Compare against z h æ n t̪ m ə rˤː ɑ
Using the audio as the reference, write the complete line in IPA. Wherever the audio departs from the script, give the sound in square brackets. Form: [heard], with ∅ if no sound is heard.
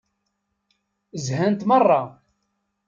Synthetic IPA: z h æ n t̪ m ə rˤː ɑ

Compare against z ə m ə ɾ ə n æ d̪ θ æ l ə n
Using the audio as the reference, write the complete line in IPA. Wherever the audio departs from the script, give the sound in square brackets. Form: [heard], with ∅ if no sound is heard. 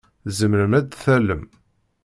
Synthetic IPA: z ə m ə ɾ ə [m] æ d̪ θ æ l ə [m]

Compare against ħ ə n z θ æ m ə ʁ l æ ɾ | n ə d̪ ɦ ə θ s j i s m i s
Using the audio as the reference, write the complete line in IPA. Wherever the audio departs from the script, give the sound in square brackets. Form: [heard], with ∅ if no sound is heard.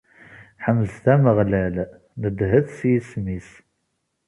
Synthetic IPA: ħ ə [m] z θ æ m ə ʁ l æ [l] | n ə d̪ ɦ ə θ s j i s m i s

